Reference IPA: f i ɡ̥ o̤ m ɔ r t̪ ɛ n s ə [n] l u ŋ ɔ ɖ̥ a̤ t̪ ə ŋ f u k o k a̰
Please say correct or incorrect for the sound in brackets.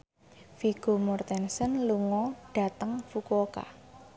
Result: correct